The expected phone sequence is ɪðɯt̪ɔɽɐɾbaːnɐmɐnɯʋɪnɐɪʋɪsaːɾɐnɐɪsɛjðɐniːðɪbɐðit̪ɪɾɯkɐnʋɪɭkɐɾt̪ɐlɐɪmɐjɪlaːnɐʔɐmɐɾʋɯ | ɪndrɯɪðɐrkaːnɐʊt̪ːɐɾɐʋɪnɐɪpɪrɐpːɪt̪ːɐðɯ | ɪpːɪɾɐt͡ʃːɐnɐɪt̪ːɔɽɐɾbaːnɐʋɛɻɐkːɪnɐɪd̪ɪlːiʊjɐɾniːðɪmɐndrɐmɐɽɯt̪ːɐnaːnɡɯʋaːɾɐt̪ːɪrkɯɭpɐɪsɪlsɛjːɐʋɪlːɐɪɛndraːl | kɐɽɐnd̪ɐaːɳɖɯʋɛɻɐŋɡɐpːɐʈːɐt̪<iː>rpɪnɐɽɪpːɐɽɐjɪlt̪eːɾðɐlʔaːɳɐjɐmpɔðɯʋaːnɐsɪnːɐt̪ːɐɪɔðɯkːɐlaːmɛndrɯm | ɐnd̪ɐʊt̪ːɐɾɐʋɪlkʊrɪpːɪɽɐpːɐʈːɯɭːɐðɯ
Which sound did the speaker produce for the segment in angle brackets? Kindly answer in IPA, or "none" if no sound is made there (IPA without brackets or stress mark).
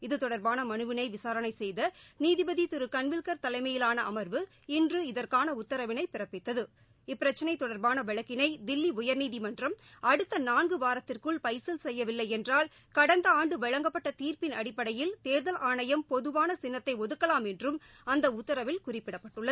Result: iː